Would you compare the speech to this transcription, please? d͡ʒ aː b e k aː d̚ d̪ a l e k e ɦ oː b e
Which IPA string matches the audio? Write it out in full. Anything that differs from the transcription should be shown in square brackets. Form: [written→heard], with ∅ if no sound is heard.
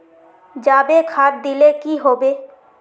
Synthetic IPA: d͡ʒ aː b e [k→kʰ] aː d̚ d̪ [a→i] l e k [e→i] ɦ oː b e